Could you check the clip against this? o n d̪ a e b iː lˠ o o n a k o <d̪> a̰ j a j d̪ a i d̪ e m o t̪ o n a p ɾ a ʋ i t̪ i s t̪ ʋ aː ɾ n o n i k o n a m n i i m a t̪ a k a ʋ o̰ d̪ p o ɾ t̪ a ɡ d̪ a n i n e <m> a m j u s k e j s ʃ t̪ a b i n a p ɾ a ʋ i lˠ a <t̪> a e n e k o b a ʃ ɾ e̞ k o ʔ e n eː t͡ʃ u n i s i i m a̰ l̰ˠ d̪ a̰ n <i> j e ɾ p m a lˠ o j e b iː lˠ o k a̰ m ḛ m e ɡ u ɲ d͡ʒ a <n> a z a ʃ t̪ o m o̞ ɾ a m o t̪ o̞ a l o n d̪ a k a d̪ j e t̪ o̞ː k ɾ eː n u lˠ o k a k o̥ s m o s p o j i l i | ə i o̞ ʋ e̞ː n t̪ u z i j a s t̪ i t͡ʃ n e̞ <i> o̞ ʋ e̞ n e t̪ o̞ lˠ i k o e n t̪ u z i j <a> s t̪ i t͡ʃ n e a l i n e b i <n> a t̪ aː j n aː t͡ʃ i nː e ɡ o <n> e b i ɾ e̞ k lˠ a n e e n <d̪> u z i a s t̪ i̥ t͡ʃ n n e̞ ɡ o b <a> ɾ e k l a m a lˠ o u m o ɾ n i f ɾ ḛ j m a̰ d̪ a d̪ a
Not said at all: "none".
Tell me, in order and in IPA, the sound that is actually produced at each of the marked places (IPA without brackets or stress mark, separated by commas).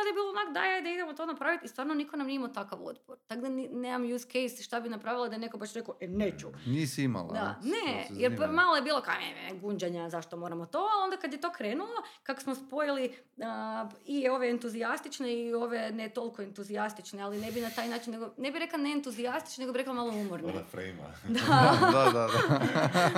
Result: d̪, m, d̪, e, ɲ, i, a, n, n, t̪, i